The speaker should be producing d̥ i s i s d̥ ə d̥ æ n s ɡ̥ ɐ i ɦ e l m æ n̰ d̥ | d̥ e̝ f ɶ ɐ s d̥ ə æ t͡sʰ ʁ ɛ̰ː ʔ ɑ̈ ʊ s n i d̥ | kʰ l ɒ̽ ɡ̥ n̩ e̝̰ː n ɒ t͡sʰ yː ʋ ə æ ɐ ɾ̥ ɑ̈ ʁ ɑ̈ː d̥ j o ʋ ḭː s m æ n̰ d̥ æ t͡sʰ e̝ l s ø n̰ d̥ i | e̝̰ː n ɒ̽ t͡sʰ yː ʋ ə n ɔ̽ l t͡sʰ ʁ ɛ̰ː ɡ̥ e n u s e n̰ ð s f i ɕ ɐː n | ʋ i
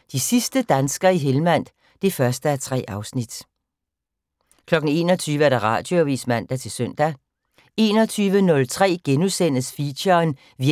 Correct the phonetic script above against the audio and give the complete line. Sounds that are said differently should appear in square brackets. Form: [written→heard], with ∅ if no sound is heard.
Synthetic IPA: d̥ i s i s d̥ ə d̥ æ n s ɡ̥ ɐ i ɦ e l m æ n̰ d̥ | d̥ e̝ f ɶ ɐ s d̥ ə æ t͡sʰ ʁ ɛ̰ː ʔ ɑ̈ ʊ s n i d̥ | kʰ l ɒ̽ ɡ̥ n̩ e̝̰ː n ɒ t͡sʰ yː ʋ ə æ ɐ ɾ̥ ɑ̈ ʁ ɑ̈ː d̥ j o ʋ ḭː s m æ n̰ d̥ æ t͡sʰ e̝ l s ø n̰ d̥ [i→æ] | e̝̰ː n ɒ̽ t͡sʰ yː ʋ ə n ɔ̽ l t͡sʰ ʁ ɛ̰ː ɡ̥ e n u s e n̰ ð s f i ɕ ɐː n | ʋ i